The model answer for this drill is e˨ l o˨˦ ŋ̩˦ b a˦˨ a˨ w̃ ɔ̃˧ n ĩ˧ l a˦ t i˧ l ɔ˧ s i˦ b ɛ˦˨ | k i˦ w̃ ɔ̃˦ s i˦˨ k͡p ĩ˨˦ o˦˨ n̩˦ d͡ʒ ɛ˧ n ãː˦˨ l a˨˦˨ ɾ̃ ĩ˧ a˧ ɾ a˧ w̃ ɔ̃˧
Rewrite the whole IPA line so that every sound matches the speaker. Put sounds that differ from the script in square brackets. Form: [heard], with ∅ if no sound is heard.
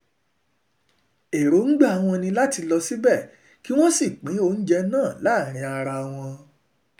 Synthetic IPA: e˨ [ɾ] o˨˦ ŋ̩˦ [ɡ͡b] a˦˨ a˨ w̃ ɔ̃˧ n ĩ˧ l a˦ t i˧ l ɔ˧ s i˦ b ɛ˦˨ | k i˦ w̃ ɔ̃˦ s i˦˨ k͡p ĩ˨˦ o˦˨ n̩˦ d͡ʒ ɛ˧ n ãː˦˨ l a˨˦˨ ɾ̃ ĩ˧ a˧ ɾ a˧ w̃ ɔ̃˧